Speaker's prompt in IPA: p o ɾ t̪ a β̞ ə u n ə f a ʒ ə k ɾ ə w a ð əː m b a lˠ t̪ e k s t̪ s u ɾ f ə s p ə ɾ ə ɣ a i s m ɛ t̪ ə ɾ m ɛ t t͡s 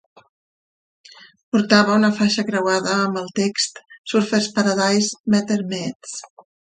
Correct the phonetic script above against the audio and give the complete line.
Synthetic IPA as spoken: p u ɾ t̪ a β̞ ə u n ə f a ʃ ə k ɾ ə w a ð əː m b ə lˠ t̪ e k s t̪ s u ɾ f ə s p ə ɾ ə ð a j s m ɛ t̪ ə ɾ m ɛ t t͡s

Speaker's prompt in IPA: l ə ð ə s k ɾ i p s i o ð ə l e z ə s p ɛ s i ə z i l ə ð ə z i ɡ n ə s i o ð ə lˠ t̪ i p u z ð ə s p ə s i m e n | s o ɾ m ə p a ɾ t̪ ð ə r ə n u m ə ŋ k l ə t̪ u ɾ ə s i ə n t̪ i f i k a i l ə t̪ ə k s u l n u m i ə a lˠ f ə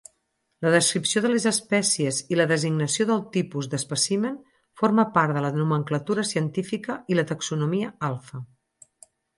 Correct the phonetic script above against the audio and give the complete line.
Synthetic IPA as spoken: l ə ð ə s k ɾ i p s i o ð ə l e z ə s p ɛ s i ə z i l ə ð ə z i ɡ n ə s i o ð ə lˠ t̪ i p u z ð ə s p ə s i m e n | f o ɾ m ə p a ɾ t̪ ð ə l ə n u m ə ŋ k l ə t̪ u ɾ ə s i ə n t̪ i f i k ə i l ə t̪ ə k s u n u m i ə a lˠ f ə

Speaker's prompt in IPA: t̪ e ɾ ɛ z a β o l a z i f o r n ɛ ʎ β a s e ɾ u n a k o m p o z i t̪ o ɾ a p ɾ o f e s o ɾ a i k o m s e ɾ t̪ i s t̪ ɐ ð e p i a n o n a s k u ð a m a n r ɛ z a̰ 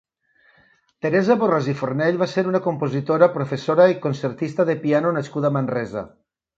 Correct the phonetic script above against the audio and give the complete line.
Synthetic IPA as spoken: t̪ e ɾ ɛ z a β o r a z i f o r n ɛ ʎ β a s e ɾ u n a k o m p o z i t̪ o ɾ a p ɾ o f e s o ɾ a i k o n s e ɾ t̪ i s t̪ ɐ ð e p i a n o n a s k u ð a m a n r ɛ z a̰

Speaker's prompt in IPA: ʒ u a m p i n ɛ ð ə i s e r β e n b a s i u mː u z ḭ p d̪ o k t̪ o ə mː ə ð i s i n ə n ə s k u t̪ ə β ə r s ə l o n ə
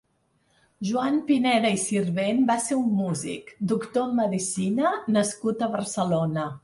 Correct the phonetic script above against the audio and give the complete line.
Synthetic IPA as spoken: ʒ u a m p i n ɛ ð ə i s i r β e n b a s e u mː u z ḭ k d̪ u k t̪ o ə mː ə ð i s i n ə n ə s k u t̪ ə β ə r s ə l o n ə

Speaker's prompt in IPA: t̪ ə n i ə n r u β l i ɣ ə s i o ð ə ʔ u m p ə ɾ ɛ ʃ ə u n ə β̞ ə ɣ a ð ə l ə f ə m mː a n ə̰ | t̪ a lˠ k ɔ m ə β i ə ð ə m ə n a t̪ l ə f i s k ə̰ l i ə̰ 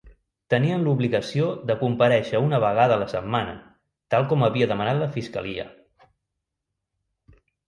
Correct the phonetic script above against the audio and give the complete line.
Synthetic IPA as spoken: t̪ ə n i ə n l u β l i ɣ ə s i o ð ə k u m p ə ɾ ɛ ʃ ə u n ə β̞ ə ɣ a ð ə l ə s ə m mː a n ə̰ | t̪ a lˠ k ɔ m ə β i ə ð ə m ə n a t̪ l ə f i s k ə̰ l i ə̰

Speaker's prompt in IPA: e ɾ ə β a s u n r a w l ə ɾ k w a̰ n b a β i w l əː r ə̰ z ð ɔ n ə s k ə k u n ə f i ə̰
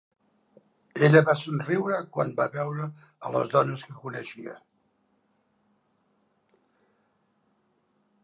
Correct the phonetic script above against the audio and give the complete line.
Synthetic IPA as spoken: e ʎ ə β a s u n r i w ɾ ə k w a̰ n b a β ɛ w ɾ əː l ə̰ z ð ɔ n ə s k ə k u n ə ʃ i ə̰

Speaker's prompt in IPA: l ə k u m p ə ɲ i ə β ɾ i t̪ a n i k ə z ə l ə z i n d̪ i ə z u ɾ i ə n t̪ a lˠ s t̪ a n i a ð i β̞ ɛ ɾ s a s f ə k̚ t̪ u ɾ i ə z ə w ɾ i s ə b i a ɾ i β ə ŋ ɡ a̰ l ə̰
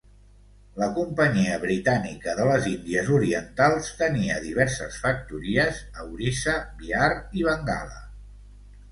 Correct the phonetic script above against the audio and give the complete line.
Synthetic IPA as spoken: l ə k u m p ə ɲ i ə β ɾ i t̪ a n i k ə ð ə l ə z i n d̪ i ə z u ɾ i ə n t̪ a lˠ s t̪ ə n i ə ð i β̞ ɛ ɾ s ə s f ə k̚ t̪ u ɾ i ə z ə w ɾ i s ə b i a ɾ i β ə ŋ ɡ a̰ l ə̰

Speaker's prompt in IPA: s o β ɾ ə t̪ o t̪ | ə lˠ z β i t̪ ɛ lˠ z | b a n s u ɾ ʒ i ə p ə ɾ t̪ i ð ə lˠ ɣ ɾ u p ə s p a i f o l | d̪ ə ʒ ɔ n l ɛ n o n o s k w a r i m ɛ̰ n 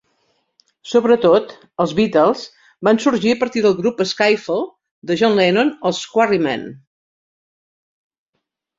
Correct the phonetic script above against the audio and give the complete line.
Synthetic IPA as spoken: s o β ɾ ə t̪ o t̪ | ə lˠ z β i t̪ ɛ lˠ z | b a n s u ɾ ʒ i ə p ə ɾ t̪ i ð ə lˠ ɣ ɾ u p ə s k a j f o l | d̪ ə ʒ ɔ n l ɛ n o n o s k w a r i m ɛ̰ n

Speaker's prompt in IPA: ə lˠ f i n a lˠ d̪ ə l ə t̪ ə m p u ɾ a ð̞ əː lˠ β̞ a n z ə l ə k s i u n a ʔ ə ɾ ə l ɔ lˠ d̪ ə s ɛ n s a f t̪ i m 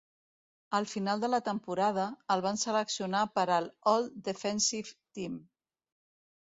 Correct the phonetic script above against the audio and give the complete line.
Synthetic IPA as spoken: ə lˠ f i n a lˠ d̪ ə l ə t̪ ə m p u ɾ a ð̞ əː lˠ β̞ a n s ə l ə k s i u n a p ə ɾ ə l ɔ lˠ d̪ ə f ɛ n s i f t̪ i m

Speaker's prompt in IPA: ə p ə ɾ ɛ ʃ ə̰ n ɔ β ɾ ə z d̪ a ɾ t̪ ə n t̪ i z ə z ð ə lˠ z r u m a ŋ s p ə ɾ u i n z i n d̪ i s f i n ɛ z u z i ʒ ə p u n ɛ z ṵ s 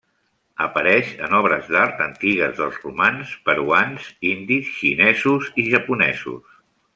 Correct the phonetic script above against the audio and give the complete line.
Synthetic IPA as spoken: ə p ə ɾ ɛ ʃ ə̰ n ɔ β ɾ ə z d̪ a ɾ t̪ ə n t̪ i ɣ ə z ð ə lˠ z r u m a n s p ə ɾ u a n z i n d̪ i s ʃ i n ɛ z u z i ʒ ə p u n ɛ z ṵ s

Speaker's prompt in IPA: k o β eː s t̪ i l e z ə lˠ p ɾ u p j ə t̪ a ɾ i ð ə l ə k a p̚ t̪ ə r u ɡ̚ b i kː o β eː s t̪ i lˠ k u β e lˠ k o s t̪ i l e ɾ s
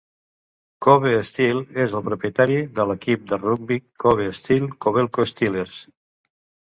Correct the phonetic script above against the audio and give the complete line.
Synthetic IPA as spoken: k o β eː s t̪ i l e z ə lˠ p ɾ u p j ə t̪ a ɾ i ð ə l ə k i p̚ d̪ ə r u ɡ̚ b i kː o β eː s t̪ i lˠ k o β e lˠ k o s t̪ i l e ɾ s

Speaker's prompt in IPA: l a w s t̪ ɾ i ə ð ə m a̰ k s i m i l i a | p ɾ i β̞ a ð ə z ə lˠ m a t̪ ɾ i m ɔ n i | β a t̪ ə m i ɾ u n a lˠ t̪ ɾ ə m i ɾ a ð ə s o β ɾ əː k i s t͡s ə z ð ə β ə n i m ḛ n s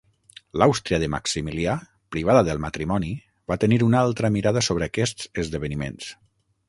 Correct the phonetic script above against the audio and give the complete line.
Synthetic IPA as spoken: l a w s t̪ ɾ i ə ð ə m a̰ k s i m i l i a | p ɾ i β̞ a ð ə ð ə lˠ m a t̪ ɾ i m ɔ n i | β a t̪ ə n i ɾ u n a lˠ t̪ ɾ ə m i ɾ a ð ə s o β ɾ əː k ɛ s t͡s ə z ð ə β ə n i m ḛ n s

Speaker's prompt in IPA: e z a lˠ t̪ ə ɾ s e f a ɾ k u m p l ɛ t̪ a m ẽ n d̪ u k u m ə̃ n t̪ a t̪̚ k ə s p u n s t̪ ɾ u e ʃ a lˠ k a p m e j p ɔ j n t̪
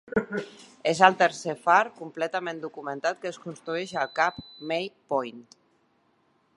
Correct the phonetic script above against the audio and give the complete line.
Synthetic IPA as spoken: e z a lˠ t̪ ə ɾ s e f a ɾ k u m p l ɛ t̪ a m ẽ n d̪ u k u m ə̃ n t̪ a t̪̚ k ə s k u n s t̪ ɾ u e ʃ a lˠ k a p m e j p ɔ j n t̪

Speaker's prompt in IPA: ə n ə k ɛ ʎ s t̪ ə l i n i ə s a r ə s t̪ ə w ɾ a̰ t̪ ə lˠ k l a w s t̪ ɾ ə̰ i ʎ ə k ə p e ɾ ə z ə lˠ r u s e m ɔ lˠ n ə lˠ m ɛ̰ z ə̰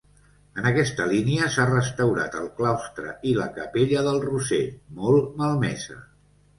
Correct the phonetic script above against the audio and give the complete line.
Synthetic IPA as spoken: ə n ə k ɛ s t̪ ə l i n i ə s a r ə s t̪ ə w ɾ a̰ t̪ ə lˠ k l a w s t̪ ɾ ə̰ i l ə k ə p e ʎ ə ð ə lˠ r u s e m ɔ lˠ m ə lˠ m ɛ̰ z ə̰

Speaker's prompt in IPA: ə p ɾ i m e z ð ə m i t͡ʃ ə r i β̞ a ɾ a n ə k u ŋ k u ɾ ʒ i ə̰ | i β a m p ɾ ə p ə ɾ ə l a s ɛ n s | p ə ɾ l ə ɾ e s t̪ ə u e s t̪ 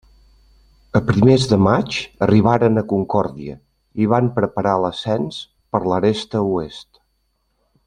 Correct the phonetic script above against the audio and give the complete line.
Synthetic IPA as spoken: ə p ɾ i m e z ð ə m a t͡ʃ ə r i β̞ a ɾ ə n ə k u ŋ k ɔ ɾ ð i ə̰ | i β a m p ɾ ə p ə ɾ a l ə s ɛ n s | p ə ɾ l ə ɾ e s t̪ ə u e s t̪

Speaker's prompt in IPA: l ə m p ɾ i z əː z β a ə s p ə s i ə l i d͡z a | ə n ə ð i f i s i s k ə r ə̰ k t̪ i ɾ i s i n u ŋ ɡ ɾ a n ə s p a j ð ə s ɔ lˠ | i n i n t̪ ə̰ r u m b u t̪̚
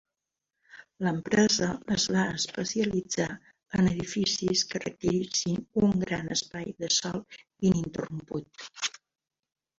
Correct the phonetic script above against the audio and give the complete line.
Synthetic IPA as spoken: l ə m p ɾ ɛ z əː z β a ə s p ə s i ə l i d͡z a | ə n ə ð i f i s i s k ə r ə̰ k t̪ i ɾ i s i n u ŋ ɡ ɾ a n ə s p a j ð ə s ɔ lˠ | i n i n t̪ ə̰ r u m p u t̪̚

